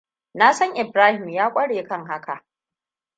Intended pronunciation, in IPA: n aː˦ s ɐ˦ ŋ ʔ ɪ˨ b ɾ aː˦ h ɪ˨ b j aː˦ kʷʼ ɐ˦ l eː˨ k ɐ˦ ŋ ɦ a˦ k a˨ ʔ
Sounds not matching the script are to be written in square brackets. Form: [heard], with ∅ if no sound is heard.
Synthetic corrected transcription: n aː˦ s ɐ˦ ŋ ʔ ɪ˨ b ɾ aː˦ h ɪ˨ [m] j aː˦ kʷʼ ɐ˦ [ɽ] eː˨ k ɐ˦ ŋ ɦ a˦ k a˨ ʔ